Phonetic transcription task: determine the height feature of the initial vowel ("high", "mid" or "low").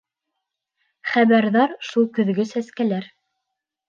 low